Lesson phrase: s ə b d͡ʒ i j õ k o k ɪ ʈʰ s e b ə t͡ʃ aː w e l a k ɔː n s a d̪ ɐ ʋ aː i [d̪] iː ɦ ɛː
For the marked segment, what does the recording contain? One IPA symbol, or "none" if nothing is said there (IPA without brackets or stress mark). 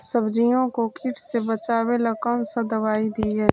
d̪